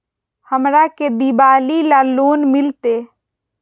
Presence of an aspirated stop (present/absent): absent